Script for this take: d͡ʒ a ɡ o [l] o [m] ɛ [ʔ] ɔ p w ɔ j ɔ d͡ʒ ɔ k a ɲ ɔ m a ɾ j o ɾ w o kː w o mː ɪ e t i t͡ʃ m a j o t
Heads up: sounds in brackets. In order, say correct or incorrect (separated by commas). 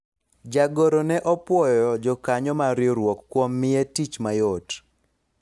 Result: incorrect, incorrect, correct